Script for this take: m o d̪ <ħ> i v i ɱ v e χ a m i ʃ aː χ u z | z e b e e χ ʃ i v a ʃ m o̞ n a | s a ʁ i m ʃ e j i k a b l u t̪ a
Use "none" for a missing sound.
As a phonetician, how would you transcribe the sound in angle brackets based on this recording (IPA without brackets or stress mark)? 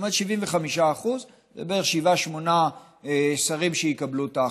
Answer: ʃ